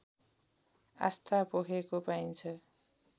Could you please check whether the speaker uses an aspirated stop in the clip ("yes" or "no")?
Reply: yes